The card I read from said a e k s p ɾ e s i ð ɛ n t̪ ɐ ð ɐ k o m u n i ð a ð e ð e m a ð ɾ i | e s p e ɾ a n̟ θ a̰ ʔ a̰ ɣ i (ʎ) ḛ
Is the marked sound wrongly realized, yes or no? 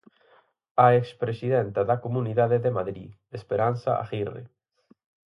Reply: yes